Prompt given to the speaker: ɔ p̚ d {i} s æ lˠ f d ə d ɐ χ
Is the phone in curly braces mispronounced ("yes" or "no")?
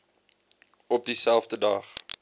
no